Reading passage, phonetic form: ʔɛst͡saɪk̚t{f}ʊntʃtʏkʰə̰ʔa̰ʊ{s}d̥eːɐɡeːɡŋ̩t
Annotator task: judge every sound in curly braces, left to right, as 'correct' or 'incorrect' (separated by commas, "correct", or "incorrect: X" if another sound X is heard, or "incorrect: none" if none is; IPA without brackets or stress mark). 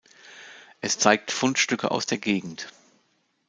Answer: correct, correct